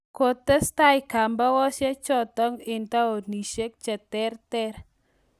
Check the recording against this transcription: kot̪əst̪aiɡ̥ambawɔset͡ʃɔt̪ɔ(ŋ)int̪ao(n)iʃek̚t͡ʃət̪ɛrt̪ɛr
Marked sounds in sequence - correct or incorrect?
correct, correct

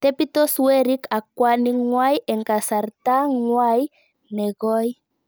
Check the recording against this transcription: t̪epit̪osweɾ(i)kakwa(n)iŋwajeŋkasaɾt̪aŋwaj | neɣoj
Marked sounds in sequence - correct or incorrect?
correct, correct

